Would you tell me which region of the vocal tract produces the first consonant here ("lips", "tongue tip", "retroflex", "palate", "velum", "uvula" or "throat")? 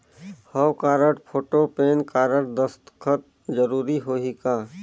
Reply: throat